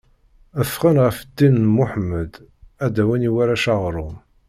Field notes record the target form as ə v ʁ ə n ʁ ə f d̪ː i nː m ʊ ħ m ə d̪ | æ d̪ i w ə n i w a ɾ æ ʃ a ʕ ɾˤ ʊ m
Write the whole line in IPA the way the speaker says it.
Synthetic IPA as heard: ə f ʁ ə n ʁ ə f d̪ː i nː m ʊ ħ m ə d̪ | æ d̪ æ w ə n i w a ɾ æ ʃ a ʁ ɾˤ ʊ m